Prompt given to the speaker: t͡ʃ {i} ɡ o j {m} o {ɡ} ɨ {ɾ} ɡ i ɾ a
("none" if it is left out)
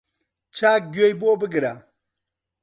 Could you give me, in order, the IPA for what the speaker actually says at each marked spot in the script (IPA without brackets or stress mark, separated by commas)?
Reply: a, b, b, none